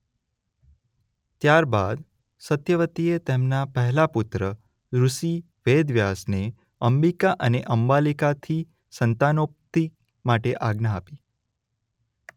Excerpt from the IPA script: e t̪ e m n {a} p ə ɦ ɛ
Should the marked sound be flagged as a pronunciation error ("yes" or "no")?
no